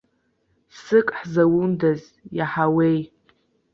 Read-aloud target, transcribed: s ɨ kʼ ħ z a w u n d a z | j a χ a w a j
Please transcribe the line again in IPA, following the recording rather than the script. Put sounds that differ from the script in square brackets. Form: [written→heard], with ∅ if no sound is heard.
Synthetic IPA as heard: s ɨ kʼ ħ z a w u n d a z | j a [χ→ħ] a w [a→e] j